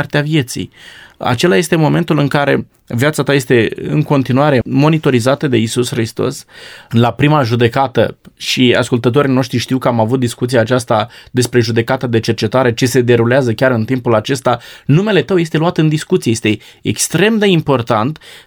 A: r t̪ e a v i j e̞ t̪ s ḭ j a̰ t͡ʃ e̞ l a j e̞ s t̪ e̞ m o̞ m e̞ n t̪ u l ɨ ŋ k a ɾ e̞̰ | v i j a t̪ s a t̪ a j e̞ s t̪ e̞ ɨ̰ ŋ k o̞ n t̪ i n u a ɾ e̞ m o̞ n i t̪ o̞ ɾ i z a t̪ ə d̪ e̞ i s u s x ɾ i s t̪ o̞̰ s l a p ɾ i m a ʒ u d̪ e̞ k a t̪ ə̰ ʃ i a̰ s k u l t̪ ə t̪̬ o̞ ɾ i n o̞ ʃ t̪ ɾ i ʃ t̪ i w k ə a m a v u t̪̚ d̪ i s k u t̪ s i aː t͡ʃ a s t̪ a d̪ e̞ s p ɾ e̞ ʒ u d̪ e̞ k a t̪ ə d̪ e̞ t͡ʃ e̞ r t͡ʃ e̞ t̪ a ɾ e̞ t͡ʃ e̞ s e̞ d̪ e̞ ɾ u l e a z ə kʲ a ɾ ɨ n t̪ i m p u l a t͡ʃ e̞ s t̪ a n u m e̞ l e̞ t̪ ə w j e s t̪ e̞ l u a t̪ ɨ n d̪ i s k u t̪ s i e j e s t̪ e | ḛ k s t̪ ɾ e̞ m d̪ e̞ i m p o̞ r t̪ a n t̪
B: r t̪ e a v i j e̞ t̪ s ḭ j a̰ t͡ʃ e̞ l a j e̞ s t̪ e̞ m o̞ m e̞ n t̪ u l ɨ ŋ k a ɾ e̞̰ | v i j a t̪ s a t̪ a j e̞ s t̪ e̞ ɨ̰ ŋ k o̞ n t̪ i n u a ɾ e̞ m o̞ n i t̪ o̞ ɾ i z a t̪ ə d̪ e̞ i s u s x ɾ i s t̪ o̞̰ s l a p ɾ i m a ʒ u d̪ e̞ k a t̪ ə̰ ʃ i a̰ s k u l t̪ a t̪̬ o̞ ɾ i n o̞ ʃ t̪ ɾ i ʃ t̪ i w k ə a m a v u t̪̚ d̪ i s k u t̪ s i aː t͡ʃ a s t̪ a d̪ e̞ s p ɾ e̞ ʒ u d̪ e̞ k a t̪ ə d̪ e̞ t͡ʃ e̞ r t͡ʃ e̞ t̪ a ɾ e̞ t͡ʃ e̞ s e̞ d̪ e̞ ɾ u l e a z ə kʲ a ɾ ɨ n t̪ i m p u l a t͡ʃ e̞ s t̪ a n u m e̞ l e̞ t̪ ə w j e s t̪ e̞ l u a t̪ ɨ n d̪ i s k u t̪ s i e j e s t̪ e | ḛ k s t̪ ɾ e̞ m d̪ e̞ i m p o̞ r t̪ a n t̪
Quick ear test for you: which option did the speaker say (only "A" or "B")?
A